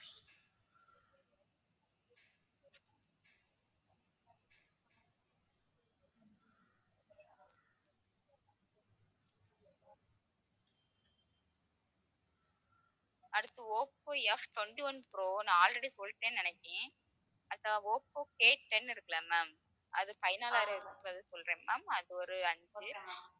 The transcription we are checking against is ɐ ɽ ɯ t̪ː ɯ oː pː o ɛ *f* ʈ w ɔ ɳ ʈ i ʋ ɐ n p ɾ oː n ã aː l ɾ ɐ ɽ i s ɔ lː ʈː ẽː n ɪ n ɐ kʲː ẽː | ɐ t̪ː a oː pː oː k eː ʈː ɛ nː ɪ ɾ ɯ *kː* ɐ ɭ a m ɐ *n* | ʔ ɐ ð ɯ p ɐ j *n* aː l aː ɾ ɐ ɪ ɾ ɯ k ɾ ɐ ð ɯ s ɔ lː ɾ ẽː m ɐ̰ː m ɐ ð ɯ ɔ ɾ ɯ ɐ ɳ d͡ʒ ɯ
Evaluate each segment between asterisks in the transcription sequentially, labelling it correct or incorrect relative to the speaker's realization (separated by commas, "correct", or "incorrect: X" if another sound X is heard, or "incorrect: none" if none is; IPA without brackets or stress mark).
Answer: correct, correct, incorrect: m, correct